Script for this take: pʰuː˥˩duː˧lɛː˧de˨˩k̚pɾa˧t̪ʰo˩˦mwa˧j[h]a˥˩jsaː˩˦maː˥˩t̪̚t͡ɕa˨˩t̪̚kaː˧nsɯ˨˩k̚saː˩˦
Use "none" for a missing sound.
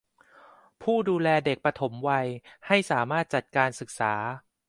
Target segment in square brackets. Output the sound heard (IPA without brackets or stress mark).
h